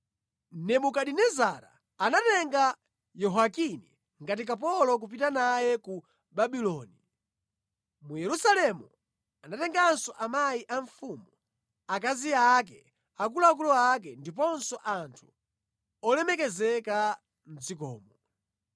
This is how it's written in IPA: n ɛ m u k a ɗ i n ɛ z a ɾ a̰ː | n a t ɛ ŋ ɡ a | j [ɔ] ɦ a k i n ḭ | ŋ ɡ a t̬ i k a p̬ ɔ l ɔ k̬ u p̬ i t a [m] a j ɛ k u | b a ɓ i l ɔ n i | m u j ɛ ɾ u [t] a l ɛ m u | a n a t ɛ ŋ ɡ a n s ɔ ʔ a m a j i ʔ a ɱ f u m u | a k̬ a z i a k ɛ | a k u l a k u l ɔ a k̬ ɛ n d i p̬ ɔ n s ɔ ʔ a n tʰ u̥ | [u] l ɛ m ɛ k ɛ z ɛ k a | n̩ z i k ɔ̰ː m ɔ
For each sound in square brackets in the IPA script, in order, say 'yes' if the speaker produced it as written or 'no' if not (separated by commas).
yes, no, no, no